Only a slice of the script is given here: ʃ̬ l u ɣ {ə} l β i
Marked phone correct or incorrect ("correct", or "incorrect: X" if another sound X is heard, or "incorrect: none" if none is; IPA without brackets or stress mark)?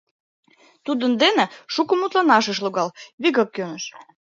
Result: incorrect: ɑ